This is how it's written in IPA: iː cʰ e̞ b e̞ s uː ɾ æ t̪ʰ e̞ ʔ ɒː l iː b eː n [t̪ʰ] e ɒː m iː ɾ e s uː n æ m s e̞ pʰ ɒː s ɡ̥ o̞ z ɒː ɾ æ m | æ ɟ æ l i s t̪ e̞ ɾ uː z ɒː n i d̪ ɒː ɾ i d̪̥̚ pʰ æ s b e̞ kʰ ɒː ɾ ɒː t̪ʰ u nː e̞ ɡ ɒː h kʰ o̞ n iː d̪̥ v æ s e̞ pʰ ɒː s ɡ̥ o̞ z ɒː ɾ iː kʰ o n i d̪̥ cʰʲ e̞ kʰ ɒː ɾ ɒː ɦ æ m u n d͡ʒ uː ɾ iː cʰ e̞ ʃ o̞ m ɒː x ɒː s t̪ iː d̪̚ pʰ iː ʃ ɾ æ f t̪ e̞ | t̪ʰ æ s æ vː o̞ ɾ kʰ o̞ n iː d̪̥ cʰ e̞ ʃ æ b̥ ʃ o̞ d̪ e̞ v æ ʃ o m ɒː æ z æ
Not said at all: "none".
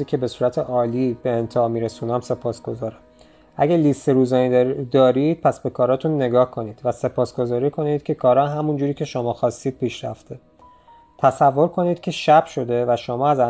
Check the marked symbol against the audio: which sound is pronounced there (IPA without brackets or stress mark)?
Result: t̪ʰ